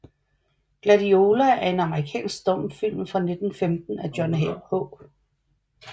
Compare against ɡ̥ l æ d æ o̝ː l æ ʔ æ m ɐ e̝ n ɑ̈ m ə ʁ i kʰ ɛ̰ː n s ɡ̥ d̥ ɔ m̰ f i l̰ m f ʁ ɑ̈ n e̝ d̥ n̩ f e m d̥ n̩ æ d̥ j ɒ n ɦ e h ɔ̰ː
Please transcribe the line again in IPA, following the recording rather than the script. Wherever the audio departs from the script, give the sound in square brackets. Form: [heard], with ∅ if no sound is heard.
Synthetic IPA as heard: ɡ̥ l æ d [i] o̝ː l æ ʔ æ [∅] ɐ e̝ n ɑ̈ m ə ʁ i kʰ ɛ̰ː n s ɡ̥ d̥ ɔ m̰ f i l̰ m f ʁ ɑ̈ n e̝ d̥ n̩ f e m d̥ n̩ æ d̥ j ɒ n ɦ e h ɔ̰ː

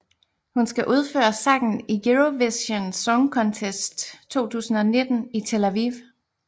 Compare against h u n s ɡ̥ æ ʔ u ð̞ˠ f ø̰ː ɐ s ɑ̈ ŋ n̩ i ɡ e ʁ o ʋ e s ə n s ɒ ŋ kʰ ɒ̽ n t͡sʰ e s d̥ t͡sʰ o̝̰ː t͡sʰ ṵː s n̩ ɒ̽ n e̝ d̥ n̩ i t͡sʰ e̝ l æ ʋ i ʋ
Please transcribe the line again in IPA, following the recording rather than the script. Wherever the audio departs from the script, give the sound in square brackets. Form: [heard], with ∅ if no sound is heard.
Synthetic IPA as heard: h u n s ɡ̥ æ ʔ u ð̞ˠ f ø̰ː ɐ s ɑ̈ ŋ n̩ i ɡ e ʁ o ʋ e s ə n s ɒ ŋ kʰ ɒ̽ n t͡sʰ e s d̥ t͡sʰ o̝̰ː t͡sʰ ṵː s n̩ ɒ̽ n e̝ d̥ n̩ i t͡sʰ e̝ l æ ʋ i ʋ

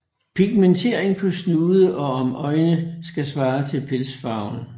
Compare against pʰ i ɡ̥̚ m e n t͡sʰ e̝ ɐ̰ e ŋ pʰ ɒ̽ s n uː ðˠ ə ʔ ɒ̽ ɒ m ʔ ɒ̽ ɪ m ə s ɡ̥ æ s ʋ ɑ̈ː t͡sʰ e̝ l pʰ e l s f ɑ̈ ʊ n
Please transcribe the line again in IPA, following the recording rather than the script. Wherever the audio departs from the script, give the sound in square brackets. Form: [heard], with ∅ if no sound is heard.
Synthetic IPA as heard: pʰ i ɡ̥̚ m e n t͡sʰ e̝ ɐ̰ e ŋ pʰ ɒ̽ s n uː ðˠ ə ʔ ɒ̽ ɒ m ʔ ɒ̽ ɪ [n] ə s ɡ̥ æ s ʋ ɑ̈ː t͡sʰ e̝ l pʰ e l s f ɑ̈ ʊ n

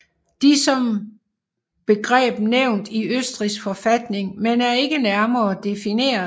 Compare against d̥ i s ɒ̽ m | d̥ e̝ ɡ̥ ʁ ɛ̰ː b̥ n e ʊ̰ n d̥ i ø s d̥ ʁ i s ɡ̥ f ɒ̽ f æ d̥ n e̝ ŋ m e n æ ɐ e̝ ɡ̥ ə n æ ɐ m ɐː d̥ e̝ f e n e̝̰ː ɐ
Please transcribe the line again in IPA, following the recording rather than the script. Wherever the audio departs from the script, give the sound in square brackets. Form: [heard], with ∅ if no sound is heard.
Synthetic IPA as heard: d̥ i s ɒ̽ m | [b̥] e̝ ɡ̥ ʁ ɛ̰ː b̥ n e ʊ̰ n d̥ i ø s d̥ ʁ i s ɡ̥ f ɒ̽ f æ d̥ n e̝ ŋ m e n æ ɐ e̝ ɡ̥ ə n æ ɐ m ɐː d̥ e̝ f [i] n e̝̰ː ɐ

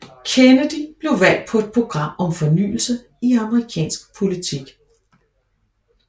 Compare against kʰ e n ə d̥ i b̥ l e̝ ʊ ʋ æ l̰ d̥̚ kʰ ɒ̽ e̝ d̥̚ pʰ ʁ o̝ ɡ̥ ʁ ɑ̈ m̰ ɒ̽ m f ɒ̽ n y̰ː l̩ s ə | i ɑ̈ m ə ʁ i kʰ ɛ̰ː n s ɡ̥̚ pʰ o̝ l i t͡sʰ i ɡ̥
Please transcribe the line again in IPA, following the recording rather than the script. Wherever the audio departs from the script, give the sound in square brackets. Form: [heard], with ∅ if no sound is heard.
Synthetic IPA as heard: kʰ e n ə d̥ i b̥ l e̝ ʊ ʋ æ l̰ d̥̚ [pʰ] ɒ̽ e̝ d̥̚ pʰ ʁ o̝ ɡ̥ ʁ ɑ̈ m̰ ɒ̽ m f ɒ̽ n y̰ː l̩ s ə | i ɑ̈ m ə ʁ i kʰ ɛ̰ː n s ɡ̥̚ pʰ o̝ l i t͡sʰ i ɡ̥

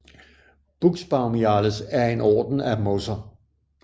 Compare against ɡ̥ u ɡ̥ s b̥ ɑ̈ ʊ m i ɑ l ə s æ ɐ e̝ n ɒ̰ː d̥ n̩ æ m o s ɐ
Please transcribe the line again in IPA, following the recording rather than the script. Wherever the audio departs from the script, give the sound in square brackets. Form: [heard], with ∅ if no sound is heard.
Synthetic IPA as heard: [b̥] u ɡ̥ s b̥ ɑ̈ ʊ m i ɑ l ə s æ ɐ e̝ n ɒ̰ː d̥ n̩ æ m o s ɐ

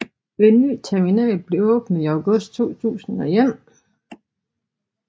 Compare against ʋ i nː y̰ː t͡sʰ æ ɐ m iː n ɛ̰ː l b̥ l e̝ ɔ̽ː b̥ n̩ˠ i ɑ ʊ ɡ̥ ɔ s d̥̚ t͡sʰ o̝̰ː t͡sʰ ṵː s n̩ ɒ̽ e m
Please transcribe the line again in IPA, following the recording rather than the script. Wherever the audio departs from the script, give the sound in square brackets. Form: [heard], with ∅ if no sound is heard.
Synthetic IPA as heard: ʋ [e] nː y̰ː t͡sʰ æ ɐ m [i] n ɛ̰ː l b̥ l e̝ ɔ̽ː b̥ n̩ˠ i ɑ ʊ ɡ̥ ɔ s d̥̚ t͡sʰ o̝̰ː t͡sʰ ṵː s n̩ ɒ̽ e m

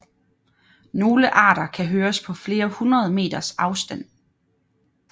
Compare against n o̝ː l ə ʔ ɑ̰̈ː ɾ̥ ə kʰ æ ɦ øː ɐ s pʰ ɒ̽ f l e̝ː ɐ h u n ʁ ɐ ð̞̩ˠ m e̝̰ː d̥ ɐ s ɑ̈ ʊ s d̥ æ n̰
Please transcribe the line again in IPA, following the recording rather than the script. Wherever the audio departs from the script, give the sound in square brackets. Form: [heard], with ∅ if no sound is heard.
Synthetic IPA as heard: n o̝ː l ə ʔ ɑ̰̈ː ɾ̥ [ɐ] kʰ æ ɦ øː ɐ s pʰ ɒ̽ f l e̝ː ɐ h u n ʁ ɐ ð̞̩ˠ m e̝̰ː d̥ ɐ s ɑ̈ ʊ s d̥ æ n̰

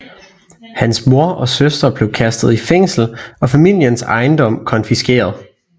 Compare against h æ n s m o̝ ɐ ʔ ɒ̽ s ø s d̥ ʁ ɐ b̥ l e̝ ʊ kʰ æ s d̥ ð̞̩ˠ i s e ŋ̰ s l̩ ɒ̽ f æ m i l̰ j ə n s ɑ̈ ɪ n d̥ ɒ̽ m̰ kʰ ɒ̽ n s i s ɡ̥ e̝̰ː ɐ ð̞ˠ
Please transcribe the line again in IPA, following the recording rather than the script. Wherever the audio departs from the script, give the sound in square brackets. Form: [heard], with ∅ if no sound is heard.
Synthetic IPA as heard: h æ n s m o̝ ɐ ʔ ɒ̽ s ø s d̥ ʁ ɐ b̥ l e̝ ʊ kʰ æ s d̥ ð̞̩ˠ i [f] e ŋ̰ s l̩ ɒ̽ f æ m i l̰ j ə n s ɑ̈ ɪ n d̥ ɒ̽ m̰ kʰ ɒ̽ n [f] i s ɡ̥ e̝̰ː ɐ ð̞ˠ

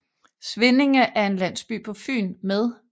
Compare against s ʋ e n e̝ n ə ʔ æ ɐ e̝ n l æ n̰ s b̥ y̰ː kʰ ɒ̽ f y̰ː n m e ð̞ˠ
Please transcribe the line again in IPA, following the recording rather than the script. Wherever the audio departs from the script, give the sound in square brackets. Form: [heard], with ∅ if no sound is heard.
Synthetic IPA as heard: s ʋ e n e̝ [ŋ] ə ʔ æ ɐ e̝ n l æ n̰ s b̥ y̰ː [pʰ] ɒ̽ f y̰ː n m e ð̞ˠ

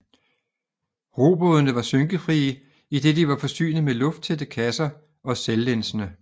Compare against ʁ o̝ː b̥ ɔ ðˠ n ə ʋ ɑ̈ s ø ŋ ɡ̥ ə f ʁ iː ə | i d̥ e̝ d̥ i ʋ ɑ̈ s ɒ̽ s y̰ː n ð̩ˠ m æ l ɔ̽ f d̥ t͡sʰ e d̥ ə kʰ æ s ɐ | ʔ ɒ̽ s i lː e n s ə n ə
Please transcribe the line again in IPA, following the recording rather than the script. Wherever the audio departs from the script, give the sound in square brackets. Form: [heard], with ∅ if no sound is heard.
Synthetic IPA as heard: ʁ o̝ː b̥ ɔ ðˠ n ə ʋ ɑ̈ s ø ŋ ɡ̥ ə f ʁ iː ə | i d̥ e̝ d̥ i ʋ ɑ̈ [f] ɒ̽ s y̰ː n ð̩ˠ m [e] l ɔ̽ f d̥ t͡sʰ e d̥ ə kʰ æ s ɐ | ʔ ɒ̽ s [e] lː e n s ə n ə

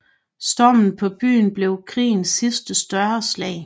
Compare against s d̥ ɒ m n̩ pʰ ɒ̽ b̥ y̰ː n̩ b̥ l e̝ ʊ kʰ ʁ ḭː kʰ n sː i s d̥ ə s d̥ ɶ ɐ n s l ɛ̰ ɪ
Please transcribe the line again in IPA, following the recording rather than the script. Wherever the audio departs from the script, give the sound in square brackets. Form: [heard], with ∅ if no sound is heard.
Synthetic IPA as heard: s d̥ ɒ m n̩ pʰ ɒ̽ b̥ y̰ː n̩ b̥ l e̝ ʊ kʰ ʁ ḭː [∅] n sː i s d̥ ə s d̥ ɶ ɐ [∅] s l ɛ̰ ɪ

